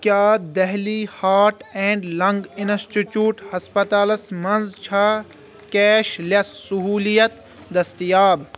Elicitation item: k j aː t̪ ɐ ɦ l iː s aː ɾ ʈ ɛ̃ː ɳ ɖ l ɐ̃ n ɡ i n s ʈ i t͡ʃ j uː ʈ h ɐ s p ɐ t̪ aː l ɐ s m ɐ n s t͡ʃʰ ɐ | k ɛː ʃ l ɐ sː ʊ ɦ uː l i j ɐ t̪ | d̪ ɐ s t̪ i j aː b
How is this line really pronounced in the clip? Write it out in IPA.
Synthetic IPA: k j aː d̪ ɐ ɦ l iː h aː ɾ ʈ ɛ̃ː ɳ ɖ l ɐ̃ ŋ ɡ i n s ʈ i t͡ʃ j uː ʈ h ɐ s p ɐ t̪ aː l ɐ s m ɐ n z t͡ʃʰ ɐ | k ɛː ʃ l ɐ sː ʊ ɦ uː l i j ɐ t̪ | d̪ ɐ s t̪ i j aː b